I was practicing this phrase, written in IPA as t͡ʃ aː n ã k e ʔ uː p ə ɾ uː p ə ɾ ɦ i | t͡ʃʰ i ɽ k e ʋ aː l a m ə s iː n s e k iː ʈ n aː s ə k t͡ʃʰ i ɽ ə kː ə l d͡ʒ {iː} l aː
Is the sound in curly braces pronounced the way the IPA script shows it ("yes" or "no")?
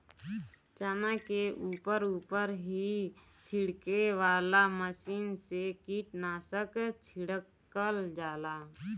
no